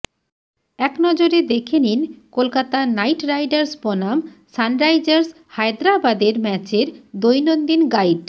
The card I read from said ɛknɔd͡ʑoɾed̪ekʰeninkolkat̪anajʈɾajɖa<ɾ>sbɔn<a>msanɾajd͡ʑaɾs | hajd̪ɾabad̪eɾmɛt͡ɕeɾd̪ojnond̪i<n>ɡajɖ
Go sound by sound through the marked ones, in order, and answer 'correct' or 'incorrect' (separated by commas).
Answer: correct, correct, correct